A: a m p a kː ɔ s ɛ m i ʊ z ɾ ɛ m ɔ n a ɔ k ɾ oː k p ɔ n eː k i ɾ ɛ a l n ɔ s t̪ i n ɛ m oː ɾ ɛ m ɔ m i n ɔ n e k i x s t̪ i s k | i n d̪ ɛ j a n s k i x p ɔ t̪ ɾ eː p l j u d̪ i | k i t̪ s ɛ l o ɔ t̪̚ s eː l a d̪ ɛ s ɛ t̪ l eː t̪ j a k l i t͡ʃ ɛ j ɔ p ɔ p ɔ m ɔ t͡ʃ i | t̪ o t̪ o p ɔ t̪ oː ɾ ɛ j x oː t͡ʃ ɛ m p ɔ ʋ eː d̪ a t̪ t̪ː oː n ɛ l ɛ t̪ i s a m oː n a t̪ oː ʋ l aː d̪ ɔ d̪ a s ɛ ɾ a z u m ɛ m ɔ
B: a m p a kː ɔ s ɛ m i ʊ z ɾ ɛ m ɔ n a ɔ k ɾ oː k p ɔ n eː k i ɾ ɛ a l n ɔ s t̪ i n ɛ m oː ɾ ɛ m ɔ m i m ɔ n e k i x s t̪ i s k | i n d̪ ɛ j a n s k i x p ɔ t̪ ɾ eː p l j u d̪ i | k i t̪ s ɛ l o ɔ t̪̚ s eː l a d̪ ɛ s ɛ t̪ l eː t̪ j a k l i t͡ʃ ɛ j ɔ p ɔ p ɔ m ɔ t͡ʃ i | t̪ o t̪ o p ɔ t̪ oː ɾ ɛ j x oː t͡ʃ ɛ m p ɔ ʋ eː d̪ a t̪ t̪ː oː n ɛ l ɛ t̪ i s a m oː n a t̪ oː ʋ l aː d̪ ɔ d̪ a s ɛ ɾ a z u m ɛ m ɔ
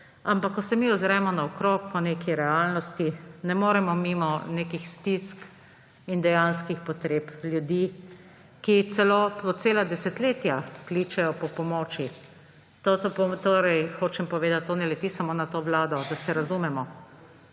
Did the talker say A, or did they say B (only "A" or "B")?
B